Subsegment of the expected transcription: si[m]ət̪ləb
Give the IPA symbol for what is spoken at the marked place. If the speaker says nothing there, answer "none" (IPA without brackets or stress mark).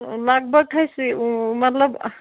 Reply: m